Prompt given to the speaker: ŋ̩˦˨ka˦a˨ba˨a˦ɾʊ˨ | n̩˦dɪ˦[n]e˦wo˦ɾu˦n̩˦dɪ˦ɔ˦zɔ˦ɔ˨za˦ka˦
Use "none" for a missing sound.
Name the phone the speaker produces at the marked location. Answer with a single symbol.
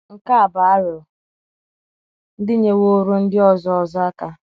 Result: ɲ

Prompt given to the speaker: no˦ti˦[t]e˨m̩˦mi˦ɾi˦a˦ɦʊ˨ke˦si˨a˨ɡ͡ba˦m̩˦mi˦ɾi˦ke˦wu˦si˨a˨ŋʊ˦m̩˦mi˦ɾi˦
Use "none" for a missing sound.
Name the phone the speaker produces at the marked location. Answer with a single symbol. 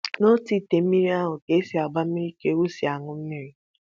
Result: t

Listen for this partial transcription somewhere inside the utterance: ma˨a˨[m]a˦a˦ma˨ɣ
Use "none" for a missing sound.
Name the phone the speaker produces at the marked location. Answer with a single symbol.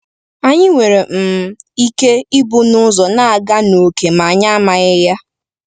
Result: ɲ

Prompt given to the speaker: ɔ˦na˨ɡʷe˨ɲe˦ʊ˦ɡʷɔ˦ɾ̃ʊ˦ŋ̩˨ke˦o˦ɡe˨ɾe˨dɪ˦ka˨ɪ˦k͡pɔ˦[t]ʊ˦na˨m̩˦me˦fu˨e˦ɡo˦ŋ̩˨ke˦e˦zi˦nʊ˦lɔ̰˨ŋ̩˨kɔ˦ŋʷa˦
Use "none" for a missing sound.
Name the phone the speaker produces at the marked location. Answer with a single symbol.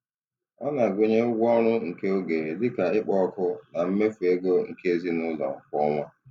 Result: k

